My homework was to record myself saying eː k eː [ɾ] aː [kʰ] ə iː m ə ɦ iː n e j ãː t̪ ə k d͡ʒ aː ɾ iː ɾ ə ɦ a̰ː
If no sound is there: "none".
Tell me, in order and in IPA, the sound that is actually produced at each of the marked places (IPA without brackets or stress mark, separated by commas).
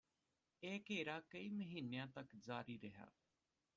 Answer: ɾ, k